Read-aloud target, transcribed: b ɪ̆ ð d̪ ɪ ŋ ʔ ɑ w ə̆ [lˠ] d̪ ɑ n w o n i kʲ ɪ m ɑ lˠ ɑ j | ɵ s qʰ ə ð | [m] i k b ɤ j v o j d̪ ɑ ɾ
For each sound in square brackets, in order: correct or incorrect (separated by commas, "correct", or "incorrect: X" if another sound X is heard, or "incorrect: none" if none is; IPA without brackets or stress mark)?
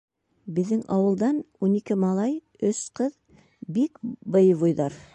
correct, incorrect: b